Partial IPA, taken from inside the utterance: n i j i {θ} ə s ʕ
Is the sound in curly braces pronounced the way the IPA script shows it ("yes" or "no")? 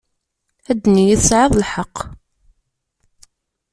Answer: yes